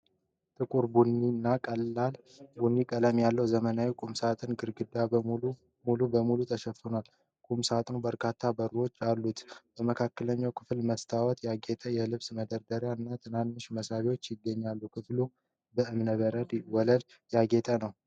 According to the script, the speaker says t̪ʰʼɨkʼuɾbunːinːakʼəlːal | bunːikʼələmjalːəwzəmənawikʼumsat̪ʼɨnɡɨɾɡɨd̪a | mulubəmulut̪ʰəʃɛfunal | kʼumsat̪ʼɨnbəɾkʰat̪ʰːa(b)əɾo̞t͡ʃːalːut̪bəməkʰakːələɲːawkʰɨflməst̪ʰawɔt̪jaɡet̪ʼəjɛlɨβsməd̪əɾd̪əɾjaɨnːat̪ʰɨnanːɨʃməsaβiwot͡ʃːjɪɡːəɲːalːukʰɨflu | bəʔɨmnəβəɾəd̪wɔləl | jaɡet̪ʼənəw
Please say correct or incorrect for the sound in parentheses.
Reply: correct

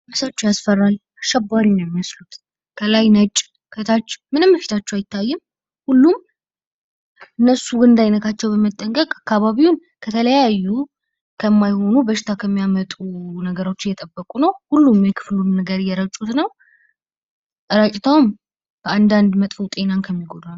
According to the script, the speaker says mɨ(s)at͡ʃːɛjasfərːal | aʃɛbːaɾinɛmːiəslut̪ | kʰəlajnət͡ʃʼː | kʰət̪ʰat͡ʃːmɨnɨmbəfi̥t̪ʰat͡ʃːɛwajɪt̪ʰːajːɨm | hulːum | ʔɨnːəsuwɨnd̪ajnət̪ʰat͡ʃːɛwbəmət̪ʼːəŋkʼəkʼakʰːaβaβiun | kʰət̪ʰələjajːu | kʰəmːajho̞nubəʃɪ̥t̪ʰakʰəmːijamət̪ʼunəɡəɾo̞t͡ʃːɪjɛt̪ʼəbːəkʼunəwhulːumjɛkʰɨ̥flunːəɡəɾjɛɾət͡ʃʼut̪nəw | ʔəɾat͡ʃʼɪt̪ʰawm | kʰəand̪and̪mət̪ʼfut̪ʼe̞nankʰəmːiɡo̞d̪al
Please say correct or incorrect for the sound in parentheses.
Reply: correct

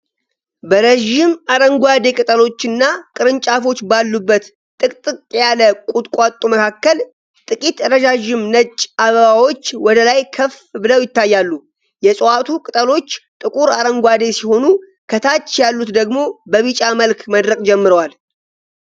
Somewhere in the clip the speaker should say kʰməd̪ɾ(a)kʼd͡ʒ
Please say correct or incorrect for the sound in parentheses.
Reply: incorrect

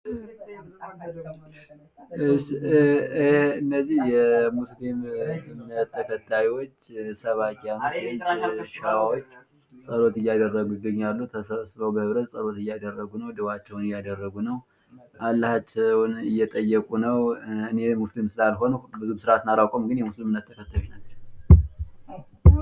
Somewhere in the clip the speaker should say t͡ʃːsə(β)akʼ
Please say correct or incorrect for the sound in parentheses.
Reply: correct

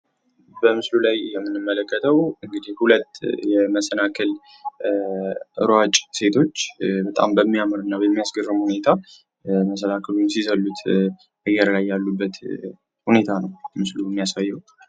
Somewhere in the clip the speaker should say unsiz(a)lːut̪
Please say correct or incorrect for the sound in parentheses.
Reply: incorrect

